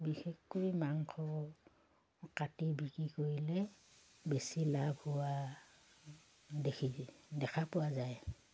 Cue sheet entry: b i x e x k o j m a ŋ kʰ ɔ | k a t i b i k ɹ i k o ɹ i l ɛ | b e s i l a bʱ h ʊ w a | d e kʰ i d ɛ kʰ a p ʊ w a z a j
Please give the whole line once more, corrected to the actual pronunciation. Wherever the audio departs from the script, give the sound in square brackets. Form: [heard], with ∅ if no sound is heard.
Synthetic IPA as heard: b i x e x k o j m a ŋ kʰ ɔ | k a t i b i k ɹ i k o ɹ i l ɛ | b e s i l a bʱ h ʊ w a | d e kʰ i d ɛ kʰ a p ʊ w a z a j